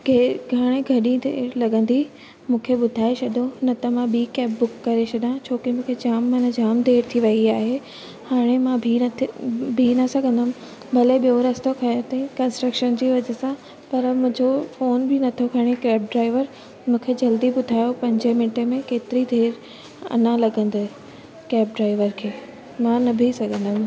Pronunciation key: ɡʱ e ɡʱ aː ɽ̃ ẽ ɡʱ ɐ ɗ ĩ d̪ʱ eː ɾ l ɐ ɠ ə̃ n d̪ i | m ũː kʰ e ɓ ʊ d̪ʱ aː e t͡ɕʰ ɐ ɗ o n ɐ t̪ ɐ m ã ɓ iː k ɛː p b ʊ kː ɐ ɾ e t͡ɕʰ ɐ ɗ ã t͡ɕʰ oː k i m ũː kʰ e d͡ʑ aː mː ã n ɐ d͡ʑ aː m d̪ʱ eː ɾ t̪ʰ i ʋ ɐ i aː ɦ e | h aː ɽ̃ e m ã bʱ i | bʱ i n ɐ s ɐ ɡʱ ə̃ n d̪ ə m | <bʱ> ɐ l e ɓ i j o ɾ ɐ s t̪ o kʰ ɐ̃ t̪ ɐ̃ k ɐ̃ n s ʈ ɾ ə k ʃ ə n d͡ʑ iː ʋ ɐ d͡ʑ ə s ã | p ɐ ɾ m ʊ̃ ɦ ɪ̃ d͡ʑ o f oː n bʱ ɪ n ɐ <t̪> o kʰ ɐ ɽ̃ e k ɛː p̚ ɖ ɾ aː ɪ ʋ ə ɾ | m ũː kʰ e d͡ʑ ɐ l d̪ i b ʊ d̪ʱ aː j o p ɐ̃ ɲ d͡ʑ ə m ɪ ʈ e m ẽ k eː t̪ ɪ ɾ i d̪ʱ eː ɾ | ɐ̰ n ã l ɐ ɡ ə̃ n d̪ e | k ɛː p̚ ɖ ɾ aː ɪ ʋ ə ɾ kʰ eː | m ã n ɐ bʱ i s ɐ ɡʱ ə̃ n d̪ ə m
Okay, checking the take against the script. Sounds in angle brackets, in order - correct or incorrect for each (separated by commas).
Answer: correct, incorrect